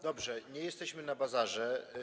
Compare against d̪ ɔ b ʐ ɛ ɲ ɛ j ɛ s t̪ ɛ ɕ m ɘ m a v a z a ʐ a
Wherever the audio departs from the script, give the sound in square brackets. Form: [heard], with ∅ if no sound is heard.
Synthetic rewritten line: d̪ ɔ b ʐ ɛ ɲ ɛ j ɛ s t̪ ɛ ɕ m ɘ [n] a [b] a z a ʐ [ɛ]